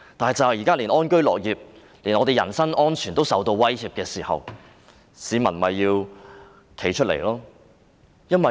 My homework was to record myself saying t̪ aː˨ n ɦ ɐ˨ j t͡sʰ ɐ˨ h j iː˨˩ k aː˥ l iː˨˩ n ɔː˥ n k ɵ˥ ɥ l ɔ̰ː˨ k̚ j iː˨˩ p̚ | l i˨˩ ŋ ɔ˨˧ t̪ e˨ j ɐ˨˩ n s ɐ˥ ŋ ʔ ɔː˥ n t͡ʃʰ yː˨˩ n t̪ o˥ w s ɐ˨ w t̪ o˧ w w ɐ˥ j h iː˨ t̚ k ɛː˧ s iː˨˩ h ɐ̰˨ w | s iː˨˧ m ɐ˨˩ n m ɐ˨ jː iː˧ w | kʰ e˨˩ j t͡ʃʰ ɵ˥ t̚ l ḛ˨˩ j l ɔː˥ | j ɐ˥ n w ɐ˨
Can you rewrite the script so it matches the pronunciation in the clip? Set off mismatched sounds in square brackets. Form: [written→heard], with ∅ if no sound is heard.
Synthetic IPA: t̪ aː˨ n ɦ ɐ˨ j [t͡sʰ→t͡s] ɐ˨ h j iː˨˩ k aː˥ l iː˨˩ n ɔː˥ n k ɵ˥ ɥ l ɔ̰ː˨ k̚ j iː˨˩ p̚ | l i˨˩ [ŋ→n] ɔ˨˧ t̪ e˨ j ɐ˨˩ n s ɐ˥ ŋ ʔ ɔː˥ n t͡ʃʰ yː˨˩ n t̪ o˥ w s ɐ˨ w t̪ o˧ w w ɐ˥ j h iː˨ [t̚→p̚] k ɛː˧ s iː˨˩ h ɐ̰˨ w | s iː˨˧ m ɐ˨˩ n m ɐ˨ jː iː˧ w | kʰ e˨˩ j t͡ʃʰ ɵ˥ t̚ l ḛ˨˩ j l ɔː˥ | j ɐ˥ n w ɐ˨